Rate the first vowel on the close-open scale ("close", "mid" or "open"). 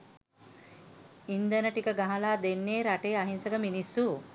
close